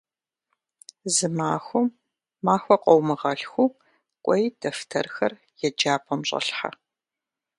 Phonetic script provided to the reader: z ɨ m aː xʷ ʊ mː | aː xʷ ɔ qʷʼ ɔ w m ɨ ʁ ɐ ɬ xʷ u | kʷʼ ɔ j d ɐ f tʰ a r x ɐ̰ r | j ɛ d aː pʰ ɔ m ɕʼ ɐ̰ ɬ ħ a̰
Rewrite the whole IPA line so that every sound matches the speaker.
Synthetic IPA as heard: z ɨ m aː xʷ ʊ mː | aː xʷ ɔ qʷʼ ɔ w m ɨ ʁ ɐ ɬ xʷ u | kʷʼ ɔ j d ɐ f tʰ ɐ r x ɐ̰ r | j ɛ d͡ʒ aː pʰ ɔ m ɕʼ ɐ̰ ɬ ħ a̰